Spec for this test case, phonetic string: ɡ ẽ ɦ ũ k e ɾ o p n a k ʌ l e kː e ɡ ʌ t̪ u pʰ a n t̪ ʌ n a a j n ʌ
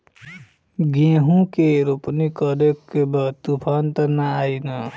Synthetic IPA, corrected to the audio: ɡ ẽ ɦ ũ k e ɾ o p n i k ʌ ɾ e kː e b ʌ t̪ u pʰ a n t̪ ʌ n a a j n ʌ